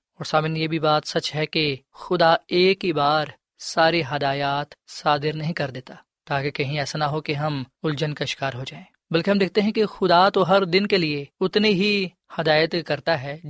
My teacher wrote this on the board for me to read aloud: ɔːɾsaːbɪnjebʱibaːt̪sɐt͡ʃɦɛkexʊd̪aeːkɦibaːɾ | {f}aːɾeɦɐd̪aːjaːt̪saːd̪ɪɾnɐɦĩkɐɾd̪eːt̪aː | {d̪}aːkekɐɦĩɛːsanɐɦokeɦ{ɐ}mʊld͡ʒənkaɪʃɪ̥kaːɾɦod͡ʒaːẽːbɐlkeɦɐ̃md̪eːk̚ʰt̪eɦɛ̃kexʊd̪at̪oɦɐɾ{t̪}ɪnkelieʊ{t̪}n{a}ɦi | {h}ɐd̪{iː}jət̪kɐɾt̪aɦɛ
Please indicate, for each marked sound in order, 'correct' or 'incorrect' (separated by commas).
incorrect, incorrect, correct, incorrect, correct, incorrect, correct, incorrect